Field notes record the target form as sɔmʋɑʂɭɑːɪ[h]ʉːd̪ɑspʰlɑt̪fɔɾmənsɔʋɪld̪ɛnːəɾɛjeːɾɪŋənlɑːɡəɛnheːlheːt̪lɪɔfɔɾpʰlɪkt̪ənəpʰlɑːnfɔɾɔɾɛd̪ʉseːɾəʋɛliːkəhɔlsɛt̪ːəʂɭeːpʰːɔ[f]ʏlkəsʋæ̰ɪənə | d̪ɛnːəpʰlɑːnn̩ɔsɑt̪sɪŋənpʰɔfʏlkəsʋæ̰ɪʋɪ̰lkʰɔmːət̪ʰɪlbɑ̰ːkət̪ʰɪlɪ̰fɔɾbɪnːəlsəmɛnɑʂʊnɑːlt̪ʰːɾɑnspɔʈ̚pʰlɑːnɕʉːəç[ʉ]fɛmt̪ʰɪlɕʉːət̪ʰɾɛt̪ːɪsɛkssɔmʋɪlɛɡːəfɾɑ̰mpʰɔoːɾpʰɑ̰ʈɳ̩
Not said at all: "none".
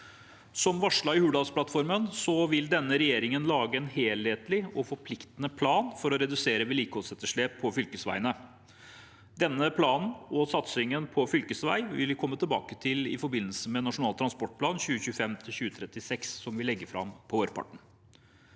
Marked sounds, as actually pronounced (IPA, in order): h, f, ʉː

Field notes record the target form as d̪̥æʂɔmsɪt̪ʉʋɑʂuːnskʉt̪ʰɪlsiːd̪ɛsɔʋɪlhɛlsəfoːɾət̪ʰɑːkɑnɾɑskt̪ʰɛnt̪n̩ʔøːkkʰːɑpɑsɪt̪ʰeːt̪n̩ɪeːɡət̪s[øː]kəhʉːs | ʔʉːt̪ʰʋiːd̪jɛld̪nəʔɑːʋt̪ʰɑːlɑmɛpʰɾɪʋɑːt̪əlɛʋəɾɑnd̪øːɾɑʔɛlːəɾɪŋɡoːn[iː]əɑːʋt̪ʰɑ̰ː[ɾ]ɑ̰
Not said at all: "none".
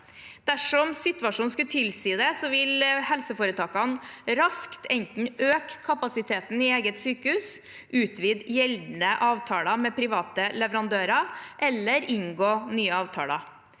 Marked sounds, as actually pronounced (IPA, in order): yː, yː, l

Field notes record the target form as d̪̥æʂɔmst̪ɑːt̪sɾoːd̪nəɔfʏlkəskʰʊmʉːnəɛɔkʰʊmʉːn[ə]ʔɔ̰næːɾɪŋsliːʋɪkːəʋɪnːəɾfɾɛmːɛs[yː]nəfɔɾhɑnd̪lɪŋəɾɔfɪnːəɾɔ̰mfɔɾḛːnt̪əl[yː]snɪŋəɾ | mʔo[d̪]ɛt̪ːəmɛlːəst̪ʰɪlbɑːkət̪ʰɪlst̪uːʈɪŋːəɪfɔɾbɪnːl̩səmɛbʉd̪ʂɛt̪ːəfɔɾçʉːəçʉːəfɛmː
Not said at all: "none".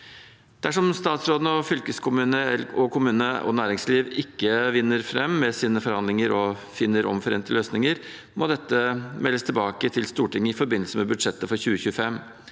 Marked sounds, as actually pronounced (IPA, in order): ə, iː, øː, d̪

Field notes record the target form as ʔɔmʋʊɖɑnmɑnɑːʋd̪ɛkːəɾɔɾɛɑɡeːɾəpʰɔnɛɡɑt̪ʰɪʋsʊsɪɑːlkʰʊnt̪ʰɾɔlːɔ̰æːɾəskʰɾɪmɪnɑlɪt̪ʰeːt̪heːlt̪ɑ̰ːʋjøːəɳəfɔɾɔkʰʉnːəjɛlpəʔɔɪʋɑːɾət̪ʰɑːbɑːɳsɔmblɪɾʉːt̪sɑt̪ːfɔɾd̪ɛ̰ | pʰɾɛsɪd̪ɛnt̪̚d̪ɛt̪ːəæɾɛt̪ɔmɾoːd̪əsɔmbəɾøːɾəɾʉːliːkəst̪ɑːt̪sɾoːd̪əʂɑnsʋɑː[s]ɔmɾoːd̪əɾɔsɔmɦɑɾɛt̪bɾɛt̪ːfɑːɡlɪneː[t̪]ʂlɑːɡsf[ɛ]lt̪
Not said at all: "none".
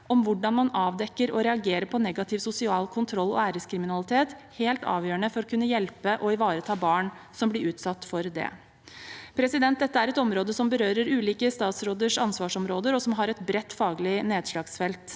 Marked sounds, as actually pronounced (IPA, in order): ʂ, d̪, ɛ

